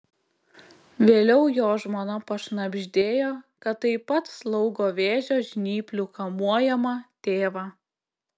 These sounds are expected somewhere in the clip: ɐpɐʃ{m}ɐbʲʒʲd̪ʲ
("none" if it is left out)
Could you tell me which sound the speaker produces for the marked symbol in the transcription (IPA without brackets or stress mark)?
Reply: n